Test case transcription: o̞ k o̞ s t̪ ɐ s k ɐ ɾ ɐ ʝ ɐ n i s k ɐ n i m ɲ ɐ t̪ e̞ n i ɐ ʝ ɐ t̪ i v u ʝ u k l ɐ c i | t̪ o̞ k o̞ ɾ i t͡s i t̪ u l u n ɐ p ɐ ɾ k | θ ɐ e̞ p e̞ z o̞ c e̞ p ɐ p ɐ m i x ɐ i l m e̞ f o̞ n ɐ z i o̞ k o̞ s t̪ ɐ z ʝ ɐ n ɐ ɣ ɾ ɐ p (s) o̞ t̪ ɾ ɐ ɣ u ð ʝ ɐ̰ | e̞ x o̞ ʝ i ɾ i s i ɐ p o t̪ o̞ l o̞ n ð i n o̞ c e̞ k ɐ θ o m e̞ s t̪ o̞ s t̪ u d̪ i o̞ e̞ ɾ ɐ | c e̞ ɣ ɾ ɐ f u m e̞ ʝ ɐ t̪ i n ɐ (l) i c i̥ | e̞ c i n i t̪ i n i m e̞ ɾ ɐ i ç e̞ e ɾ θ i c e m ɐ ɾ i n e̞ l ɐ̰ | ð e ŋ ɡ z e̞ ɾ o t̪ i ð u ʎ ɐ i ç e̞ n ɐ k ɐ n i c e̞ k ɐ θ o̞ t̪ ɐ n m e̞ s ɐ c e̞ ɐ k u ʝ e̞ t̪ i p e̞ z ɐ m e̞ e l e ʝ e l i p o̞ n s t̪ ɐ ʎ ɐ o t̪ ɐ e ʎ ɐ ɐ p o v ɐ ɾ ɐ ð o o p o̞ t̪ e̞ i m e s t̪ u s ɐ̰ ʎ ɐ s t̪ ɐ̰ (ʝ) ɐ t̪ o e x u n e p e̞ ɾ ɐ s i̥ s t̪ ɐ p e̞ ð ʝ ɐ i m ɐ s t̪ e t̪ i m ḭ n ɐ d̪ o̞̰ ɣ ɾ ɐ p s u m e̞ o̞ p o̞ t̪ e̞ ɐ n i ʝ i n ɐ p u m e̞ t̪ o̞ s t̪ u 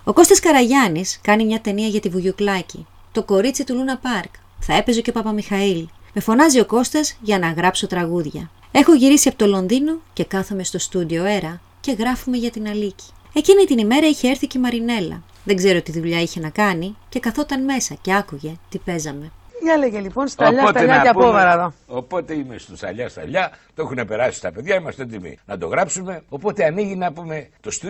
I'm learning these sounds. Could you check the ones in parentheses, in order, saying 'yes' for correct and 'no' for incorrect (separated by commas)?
yes, yes, no